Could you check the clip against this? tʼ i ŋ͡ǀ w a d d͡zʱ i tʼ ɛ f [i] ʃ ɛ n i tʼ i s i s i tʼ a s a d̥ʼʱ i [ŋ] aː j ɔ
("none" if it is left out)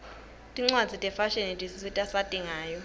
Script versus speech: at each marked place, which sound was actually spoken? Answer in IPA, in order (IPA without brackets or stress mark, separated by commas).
a, ŋ